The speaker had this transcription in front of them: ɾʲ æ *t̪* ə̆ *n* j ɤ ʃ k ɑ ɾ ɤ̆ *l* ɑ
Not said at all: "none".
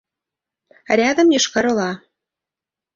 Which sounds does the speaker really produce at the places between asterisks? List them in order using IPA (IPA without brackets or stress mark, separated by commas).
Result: d̪, m, l